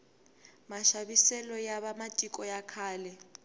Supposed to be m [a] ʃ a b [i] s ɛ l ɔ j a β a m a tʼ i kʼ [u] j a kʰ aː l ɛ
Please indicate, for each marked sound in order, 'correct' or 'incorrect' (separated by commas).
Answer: correct, correct, incorrect